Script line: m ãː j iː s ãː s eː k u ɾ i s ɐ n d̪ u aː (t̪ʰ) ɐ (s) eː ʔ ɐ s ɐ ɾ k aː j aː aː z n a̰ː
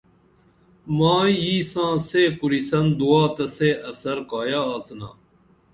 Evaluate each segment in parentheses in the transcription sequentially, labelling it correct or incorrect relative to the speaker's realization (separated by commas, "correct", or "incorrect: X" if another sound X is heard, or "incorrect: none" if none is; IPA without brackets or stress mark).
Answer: incorrect: t̪, correct